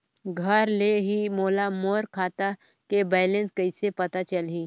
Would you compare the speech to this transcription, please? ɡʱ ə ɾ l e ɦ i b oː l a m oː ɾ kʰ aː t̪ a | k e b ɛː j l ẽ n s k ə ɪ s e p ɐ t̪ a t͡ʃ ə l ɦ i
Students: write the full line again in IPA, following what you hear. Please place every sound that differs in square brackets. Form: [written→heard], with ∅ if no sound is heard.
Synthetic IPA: ɡʱ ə ɾ l e ɦ i [b→m] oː l a m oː ɾ kʰ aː t̪ a | k e b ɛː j l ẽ n s k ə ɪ s e p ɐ t̪ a t͡ʃ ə l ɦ i

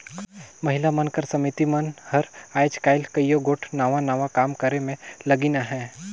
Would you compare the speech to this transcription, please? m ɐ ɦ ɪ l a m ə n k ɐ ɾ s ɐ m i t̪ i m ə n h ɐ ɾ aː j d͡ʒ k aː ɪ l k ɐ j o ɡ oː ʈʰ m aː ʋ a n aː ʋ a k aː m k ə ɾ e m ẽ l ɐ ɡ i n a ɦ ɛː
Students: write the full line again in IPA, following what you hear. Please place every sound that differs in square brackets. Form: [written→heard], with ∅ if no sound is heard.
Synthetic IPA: m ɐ ɦ ɪ l a m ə n k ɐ ɾ s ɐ m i t̪ i m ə n h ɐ ɾ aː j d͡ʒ k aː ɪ l k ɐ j o ɡ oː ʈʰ [m→n] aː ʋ a n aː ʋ a k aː m k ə ɾ e m ẽ l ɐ ɡ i n a ɦ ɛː

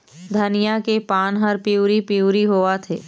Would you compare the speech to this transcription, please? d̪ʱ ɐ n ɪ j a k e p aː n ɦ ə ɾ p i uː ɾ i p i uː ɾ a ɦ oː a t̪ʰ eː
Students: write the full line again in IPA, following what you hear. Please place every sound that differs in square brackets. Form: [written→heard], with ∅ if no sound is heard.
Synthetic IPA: d̪ʱ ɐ n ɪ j a k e p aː n ɦ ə ɾ p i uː ɾ i p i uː ɾ [a→i] ɦ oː a t̪ʰ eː

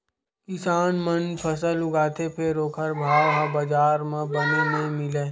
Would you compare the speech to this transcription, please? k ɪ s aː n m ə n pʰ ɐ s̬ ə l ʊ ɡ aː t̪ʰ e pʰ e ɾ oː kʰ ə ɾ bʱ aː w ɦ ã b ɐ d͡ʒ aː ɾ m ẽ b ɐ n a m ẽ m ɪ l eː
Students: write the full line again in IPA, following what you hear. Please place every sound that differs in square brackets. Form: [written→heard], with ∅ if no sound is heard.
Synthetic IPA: k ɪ s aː n m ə n pʰ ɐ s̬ ə l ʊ ɡ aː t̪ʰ e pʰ e ɾ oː kʰ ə ɾ bʱ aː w ɦ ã b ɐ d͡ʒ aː ɾ m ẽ b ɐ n [a→e] m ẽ m ɪ l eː

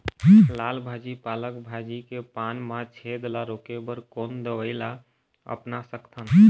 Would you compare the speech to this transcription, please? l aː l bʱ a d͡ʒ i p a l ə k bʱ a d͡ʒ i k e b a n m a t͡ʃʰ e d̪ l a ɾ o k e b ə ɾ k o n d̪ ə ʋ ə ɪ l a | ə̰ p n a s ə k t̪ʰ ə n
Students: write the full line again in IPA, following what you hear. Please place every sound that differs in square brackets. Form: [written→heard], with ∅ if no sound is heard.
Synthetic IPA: l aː l bʱ a d͡ʒ i p a l ə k bʱ a d͡ʒ i k e [b→p] a n m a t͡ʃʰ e d̪ l a ɾ o k e b ə ɾ k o n d̪ ə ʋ ə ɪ l a | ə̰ p n a s ə k t̪ʰ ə n

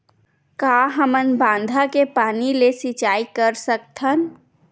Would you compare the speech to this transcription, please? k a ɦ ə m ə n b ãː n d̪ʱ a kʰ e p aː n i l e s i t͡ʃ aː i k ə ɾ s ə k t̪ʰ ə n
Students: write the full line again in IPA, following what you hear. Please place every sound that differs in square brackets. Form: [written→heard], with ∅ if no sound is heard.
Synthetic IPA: k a ɦ ə m ə n b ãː n d̪ʱ a [kʰ→k] e p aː n i l e s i t͡ʃ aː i k ə ɾ s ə k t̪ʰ ə n

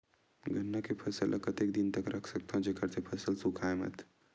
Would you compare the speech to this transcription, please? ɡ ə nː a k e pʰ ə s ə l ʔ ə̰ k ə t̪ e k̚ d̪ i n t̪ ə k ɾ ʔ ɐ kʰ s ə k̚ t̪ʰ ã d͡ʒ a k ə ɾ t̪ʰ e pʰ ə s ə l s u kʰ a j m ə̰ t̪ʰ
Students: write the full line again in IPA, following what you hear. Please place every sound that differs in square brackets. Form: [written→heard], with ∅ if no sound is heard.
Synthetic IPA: ɡ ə nː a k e pʰ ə s ə l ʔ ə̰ k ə t̪ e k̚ d̪ i n t̪ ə k ɾ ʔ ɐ kʰ s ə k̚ t̪ʰ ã d͡ʒ [a→e] k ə ɾ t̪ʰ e pʰ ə s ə l s u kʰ a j m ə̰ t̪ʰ

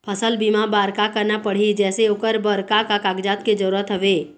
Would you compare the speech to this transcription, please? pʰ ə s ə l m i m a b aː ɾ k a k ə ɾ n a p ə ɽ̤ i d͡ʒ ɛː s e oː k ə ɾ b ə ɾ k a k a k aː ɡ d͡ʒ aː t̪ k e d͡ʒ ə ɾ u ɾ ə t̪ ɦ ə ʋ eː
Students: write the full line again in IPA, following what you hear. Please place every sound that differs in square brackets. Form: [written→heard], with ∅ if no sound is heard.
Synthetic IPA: pʰ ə s ə l [m→b] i m a b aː ɾ k a k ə ɾ n a p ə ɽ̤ i d͡ʒ ɛː s e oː k ə ɾ b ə ɾ k a k a k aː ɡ d͡ʒ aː t̪ k e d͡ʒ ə ɾ u ɾ ə t̪ ɦ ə ʋ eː

